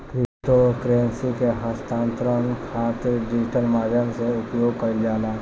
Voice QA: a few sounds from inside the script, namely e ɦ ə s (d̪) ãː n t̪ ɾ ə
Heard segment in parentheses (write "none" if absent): t̪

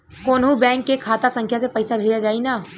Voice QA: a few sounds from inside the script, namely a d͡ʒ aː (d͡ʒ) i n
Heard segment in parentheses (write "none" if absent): none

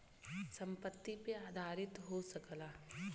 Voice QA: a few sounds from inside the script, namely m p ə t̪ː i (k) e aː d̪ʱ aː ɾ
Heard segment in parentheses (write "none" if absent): p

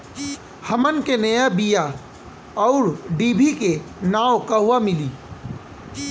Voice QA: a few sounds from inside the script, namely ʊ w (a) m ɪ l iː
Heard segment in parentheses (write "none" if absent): a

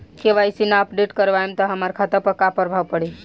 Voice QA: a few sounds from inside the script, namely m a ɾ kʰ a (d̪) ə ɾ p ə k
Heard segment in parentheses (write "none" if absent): t̪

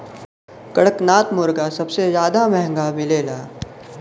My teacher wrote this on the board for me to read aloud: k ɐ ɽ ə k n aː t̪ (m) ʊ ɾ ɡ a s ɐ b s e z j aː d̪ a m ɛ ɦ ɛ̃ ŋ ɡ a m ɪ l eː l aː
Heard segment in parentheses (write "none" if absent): m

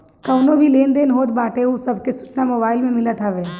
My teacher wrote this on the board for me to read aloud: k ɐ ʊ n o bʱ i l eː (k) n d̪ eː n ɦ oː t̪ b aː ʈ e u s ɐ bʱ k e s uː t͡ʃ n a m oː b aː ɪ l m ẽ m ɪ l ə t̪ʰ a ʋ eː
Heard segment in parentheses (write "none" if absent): none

